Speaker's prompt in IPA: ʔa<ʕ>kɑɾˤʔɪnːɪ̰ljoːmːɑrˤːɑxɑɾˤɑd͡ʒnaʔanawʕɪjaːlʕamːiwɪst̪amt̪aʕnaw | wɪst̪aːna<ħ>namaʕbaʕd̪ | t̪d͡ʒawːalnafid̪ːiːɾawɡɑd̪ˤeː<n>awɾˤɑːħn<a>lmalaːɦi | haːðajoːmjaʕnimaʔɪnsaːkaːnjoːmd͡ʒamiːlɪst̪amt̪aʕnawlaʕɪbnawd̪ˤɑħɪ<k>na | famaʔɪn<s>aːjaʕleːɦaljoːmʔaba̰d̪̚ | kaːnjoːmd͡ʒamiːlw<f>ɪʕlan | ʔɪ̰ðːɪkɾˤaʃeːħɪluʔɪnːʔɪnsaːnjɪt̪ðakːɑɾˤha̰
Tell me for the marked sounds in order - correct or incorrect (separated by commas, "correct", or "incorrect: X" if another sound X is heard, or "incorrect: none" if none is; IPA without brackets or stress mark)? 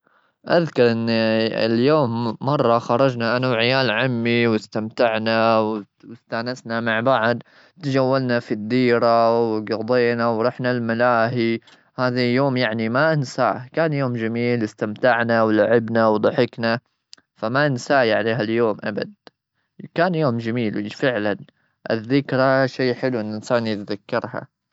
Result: incorrect: ð, incorrect: s, correct, correct, correct, correct, correct